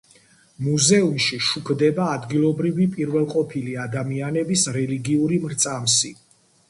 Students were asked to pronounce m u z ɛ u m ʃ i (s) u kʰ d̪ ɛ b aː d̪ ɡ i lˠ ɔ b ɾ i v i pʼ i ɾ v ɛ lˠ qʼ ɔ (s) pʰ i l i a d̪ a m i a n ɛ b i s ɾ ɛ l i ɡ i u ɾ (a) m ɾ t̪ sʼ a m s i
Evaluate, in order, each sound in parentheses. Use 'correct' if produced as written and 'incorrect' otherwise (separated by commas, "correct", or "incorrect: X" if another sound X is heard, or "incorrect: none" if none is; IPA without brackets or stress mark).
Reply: incorrect: ʃ, incorrect: none, incorrect: i